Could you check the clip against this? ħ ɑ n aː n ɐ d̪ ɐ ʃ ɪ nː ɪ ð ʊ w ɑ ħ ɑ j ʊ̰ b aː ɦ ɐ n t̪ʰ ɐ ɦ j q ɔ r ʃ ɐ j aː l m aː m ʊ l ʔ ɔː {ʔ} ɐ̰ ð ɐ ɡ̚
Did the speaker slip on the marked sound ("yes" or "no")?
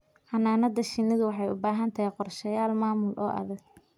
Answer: no